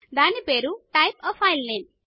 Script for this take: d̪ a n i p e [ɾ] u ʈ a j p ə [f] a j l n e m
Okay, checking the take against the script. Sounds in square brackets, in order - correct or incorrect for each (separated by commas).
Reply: correct, correct